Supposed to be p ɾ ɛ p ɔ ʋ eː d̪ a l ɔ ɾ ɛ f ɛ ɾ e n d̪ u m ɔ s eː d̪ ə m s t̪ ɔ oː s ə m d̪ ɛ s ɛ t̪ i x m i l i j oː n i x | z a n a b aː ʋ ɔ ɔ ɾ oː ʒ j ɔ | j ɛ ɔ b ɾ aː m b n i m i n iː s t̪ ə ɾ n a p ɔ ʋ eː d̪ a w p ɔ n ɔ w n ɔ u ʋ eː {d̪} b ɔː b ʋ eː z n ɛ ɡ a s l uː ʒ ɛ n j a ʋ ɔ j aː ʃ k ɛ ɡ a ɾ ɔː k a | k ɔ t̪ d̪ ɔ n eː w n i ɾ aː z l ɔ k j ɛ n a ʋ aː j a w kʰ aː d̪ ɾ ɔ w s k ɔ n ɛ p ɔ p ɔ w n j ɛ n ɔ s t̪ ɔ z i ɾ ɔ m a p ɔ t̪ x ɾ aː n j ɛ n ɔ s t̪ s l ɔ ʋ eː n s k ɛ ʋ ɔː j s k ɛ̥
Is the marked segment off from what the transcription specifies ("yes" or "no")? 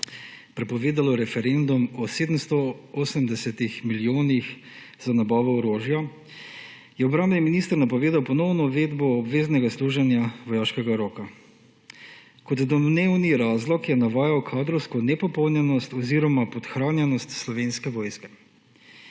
no